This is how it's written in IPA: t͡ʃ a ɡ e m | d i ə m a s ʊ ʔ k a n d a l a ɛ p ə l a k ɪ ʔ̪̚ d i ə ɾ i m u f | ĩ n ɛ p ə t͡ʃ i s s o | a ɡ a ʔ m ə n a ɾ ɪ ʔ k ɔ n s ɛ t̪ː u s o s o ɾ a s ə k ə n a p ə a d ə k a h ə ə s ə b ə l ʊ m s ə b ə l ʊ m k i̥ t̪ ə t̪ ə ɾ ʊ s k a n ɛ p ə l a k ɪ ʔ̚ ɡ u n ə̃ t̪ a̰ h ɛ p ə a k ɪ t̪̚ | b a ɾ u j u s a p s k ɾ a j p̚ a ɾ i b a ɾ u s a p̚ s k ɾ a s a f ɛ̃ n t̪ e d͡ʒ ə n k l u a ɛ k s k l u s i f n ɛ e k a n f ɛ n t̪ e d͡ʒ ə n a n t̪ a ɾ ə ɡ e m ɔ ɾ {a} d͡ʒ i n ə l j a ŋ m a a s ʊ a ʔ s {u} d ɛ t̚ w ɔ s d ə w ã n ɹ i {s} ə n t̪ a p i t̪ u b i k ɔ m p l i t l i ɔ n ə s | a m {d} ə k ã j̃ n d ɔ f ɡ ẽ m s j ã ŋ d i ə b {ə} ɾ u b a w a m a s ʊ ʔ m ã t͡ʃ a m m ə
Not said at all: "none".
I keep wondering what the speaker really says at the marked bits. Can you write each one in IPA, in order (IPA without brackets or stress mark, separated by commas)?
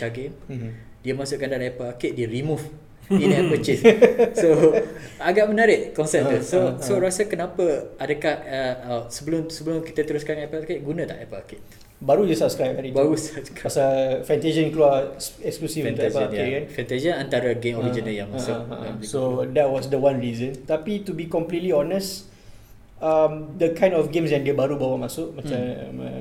i, o, z, d, a